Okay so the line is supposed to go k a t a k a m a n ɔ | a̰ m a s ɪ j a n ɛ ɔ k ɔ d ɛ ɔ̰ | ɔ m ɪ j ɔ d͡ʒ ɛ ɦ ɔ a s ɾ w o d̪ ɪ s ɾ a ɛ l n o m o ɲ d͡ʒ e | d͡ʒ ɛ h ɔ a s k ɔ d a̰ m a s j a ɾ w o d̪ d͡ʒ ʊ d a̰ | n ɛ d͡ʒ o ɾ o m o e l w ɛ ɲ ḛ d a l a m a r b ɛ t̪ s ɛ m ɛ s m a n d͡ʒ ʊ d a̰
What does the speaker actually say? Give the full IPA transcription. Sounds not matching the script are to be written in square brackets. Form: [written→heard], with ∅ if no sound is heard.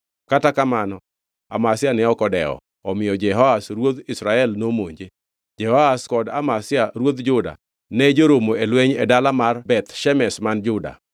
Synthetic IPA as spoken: k a t a k a m a n ɔ | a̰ m a s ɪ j a n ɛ ɔ k ɔ d ɛ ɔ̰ | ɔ m ɪ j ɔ d͡ʒ ɛ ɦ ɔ a s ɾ w o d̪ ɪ s ɾ a ɛ l n o m o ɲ d͡ʒ e | d͡ʒ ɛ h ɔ a s k ɔ d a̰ m a s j a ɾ w o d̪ d͡ʒ ʊ d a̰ | n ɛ d͡ʒ o ɾ o m o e l w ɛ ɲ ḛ d a l a m a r b ɛ t̪ [s→ʃ] ɛ m ɛ s m a n d͡ʒ ʊ d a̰